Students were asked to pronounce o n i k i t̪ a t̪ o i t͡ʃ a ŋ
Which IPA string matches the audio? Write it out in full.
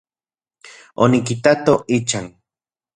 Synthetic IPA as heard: o n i k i t̪ a t̪ o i t͡ʃ a ŋ